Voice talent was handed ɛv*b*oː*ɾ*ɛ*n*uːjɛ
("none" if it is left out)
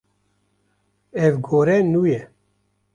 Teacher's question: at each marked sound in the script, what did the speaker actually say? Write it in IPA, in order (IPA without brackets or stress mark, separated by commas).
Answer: ɡ, ɾ, n